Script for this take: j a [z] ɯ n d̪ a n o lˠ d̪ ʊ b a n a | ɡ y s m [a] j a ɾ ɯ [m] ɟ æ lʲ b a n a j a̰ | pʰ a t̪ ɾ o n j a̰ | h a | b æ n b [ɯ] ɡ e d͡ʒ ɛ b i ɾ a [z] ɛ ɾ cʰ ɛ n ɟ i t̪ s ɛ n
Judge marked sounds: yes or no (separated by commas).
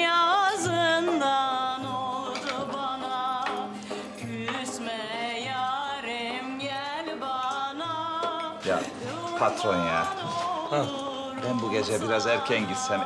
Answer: yes, no, yes, no, yes